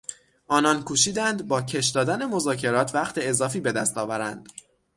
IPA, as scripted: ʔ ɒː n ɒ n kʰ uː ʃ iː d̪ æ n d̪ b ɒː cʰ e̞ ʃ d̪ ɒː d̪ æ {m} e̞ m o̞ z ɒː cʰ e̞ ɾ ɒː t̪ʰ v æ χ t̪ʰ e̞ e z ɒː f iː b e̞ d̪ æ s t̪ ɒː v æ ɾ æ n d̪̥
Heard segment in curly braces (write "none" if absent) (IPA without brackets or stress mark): n